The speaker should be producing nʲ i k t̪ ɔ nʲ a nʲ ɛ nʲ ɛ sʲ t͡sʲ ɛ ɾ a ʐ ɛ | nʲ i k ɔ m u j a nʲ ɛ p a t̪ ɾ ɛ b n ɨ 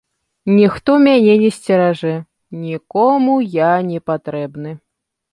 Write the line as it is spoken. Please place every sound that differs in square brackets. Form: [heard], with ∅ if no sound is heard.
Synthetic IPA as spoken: nʲ i [x] t̪ ɔ [mʲ] a nʲ ɛ nʲ ɛ sʲ t͡sʲ ɛ ɾ a ʐ ɛ | nʲ i k ɔ m u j a nʲ ɛ p a t̪ ɾ ɛ b n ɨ